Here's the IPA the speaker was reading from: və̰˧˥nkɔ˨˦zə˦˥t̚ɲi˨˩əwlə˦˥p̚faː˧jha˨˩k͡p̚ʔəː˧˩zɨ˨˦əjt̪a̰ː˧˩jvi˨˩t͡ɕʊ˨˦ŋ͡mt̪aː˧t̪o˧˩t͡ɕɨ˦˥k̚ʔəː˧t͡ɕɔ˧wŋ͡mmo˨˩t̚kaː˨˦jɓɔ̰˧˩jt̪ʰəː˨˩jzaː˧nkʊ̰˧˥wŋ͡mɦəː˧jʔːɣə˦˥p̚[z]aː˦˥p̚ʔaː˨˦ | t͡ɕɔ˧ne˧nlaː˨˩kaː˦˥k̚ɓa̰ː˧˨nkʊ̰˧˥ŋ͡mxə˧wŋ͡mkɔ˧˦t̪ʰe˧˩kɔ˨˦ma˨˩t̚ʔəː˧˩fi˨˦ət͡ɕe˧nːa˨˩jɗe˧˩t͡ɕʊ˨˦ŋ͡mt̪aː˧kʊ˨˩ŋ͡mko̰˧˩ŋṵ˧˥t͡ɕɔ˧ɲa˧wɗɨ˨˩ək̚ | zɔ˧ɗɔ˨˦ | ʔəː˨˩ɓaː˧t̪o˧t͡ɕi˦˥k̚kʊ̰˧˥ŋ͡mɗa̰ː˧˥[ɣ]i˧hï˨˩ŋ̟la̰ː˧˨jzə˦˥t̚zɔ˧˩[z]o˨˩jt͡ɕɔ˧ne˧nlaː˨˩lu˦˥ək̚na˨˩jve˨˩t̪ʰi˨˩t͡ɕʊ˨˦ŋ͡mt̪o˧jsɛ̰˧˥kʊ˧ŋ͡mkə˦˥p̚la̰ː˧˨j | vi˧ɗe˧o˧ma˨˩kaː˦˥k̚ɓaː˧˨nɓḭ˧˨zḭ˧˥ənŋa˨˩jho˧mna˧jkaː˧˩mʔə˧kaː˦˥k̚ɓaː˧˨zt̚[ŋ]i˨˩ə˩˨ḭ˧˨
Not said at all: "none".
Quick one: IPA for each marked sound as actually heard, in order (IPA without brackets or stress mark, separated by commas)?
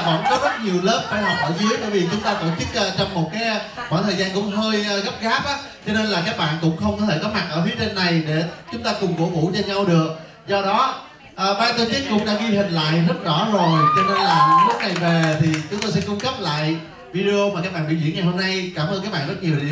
ɣ, ɣ, z, ɲ